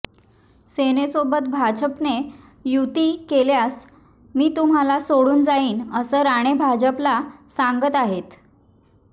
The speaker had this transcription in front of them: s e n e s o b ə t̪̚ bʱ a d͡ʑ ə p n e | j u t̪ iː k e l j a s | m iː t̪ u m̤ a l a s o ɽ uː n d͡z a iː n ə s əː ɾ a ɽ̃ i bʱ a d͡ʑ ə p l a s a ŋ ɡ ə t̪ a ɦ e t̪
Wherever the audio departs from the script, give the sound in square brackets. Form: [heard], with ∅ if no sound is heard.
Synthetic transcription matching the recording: s e n e s o b ə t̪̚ bʱ a d͡ʑ ə p n e | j u t̪ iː k e l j a s | m iː t̪ u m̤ a l a s o ɽ uː n d͡z a iː n ə s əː ɾ a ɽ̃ [e] bʱ a d͡ʑ ə p l a s a ŋ ɡ ə t̪ a ɦ e t̪